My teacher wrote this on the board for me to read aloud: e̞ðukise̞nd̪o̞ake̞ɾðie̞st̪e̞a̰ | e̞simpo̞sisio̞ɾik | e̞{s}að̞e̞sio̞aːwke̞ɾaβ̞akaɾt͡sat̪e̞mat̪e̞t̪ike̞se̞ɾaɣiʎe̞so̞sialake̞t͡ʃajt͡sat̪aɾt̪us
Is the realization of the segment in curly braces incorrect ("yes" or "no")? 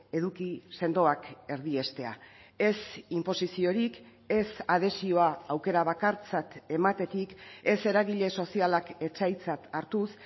no